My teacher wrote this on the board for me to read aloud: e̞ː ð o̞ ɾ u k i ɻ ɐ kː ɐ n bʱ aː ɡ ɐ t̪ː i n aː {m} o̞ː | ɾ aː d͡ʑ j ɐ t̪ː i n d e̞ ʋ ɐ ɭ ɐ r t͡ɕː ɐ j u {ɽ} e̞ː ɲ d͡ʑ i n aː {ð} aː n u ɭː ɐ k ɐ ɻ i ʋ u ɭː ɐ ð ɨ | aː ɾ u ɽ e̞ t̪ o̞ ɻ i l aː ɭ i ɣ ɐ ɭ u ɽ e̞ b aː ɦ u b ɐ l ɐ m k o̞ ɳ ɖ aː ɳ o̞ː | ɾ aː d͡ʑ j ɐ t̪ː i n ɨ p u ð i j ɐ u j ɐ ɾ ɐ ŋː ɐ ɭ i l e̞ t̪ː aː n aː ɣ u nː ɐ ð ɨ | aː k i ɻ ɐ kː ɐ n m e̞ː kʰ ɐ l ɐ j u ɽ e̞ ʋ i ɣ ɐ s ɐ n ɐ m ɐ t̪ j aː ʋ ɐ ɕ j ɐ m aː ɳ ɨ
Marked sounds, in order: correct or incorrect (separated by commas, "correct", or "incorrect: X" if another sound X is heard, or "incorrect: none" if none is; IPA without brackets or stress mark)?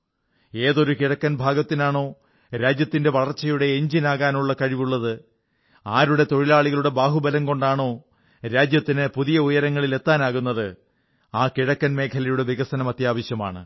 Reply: incorrect: ɳ, correct, incorrect: ɣ